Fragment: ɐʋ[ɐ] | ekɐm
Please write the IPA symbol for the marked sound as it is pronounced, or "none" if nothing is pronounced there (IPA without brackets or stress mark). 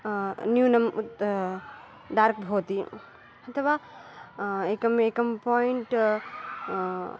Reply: a